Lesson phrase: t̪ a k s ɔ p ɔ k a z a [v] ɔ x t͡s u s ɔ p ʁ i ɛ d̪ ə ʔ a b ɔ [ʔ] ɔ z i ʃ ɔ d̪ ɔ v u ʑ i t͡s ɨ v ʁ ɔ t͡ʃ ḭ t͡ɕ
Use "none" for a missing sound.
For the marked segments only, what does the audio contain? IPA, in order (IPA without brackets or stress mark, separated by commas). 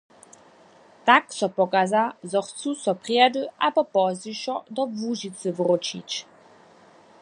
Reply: z, p